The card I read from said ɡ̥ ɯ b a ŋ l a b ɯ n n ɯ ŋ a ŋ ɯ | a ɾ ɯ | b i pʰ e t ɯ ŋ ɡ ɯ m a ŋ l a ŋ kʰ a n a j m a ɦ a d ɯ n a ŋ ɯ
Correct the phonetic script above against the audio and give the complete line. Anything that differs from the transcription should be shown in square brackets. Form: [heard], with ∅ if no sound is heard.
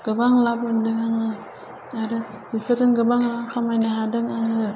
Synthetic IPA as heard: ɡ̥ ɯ b a ŋ l a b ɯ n [d] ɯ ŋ a ŋ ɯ | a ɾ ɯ | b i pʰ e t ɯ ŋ ɡ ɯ [b] a ŋ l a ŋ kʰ a [m] a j [n] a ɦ a d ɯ [ŋ] a ŋ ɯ